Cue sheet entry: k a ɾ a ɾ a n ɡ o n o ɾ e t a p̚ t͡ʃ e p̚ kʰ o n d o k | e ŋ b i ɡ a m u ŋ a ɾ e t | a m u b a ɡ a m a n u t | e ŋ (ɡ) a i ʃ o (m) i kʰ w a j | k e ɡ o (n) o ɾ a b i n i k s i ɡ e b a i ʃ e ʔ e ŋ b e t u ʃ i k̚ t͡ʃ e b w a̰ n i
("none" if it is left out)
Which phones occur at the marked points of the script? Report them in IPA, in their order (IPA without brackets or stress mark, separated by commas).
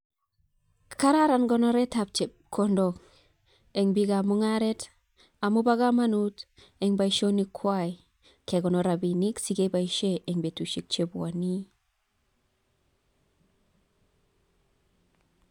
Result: b, n, n